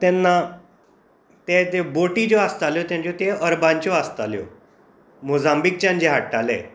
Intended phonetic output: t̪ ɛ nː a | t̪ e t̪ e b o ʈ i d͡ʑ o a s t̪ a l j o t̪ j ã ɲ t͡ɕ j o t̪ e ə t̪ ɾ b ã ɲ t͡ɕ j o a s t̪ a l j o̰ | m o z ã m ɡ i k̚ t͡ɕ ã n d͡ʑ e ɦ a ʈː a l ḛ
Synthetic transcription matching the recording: t̪ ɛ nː a | t̪ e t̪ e b o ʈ i d͡ʑ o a s t̪ a l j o t̪ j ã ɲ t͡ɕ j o t̪ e ə ɾ b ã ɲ t͡ɕ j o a s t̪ a l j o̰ | m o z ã m b i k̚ t͡ɕ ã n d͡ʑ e ɦ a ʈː a l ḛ